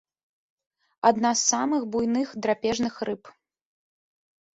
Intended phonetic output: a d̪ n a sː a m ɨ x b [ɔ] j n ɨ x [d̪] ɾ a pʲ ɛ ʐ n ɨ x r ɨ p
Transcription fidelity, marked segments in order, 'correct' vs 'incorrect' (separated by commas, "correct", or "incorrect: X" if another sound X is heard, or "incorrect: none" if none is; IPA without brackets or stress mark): incorrect: u, correct